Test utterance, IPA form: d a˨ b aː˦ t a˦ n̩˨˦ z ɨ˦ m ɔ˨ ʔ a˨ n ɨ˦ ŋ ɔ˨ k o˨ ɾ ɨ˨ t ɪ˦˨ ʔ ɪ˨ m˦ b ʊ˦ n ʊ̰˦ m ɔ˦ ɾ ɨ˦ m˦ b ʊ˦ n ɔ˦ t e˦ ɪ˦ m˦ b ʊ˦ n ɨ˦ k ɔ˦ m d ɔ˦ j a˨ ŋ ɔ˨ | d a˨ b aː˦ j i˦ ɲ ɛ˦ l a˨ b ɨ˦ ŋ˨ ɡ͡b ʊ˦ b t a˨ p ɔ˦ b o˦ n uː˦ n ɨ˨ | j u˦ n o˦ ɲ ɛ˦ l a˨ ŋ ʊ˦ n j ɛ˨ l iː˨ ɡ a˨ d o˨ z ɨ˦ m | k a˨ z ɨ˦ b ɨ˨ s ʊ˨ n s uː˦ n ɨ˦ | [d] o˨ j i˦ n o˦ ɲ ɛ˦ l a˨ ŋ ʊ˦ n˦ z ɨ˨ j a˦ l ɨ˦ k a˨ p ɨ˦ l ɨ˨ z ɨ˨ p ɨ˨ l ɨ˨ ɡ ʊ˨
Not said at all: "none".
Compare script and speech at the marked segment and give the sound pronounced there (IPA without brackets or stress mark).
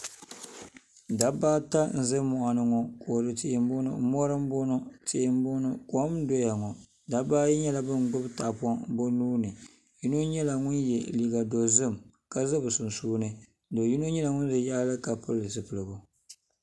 d